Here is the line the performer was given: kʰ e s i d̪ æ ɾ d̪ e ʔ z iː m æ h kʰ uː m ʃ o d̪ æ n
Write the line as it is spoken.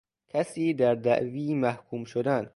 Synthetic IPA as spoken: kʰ æ s iː d̪ æ ɾ d̪ æ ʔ v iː m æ h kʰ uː m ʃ o d̪ æ n